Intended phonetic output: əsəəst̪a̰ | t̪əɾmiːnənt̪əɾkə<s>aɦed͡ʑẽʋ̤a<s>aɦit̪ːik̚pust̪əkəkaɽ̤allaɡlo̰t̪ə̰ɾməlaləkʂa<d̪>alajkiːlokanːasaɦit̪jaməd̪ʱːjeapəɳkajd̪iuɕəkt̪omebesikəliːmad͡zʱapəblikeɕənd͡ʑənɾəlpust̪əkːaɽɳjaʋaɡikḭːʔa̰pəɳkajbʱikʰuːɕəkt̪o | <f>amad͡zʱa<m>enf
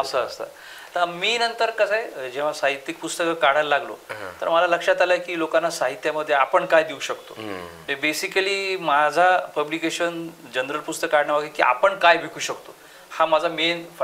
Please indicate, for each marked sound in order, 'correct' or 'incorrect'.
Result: correct, correct, incorrect, incorrect, correct

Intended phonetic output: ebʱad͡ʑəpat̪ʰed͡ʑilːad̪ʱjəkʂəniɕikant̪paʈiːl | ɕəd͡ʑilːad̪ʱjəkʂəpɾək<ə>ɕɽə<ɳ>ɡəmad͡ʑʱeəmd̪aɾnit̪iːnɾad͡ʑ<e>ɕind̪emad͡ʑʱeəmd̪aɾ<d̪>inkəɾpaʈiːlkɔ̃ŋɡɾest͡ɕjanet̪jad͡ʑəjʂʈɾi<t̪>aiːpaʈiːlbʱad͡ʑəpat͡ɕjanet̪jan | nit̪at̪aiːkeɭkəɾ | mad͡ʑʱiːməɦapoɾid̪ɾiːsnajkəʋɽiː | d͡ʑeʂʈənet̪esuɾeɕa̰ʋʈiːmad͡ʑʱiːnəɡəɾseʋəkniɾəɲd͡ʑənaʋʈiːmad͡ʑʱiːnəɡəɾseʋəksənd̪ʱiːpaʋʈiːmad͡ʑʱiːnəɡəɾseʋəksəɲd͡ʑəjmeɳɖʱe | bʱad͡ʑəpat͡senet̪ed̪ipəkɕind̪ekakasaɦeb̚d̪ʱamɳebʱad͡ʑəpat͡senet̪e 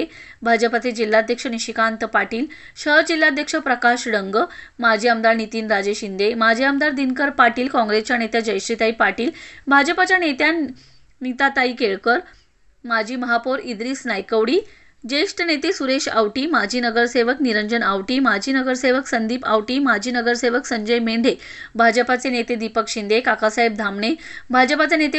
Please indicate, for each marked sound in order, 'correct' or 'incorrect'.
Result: incorrect, incorrect, correct, correct, correct

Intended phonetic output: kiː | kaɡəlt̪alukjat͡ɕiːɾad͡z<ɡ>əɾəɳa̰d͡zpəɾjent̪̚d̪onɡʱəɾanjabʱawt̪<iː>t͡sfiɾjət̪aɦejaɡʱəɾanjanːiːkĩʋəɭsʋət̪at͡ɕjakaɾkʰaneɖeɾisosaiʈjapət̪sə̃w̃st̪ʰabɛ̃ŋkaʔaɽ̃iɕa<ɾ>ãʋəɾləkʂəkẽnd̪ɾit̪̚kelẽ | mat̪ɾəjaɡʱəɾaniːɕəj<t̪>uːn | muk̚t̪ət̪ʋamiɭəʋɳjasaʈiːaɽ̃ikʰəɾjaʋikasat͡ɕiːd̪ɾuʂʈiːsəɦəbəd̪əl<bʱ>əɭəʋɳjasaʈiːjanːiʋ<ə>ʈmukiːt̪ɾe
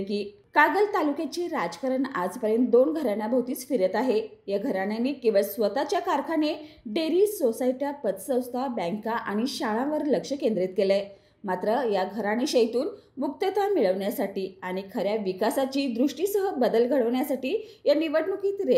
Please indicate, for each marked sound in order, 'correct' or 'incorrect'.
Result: incorrect, correct, incorrect, correct, incorrect, correct

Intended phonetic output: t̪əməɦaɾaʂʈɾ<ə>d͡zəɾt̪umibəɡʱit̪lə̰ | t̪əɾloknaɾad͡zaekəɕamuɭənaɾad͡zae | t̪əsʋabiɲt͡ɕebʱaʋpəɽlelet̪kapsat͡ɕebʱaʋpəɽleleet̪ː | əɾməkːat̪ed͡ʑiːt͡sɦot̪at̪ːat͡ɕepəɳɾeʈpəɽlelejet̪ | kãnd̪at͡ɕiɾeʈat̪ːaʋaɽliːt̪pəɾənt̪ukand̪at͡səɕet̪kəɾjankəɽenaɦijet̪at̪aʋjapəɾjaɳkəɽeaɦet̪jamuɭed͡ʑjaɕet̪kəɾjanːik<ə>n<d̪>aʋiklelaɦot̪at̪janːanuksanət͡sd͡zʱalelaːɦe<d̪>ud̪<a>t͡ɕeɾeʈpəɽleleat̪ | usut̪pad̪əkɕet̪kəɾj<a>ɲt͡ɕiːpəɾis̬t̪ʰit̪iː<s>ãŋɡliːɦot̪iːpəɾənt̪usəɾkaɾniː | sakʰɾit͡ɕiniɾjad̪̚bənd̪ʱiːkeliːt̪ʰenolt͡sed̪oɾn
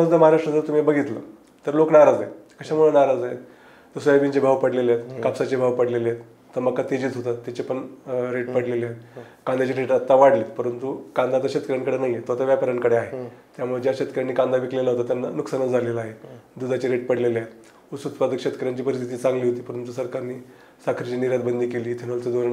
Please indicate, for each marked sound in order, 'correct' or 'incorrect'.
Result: correct, incorrect, correct, correct, correct, correct, incorrect

